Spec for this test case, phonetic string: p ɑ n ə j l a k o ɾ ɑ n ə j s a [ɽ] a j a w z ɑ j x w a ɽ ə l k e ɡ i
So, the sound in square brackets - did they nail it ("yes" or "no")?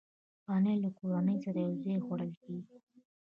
no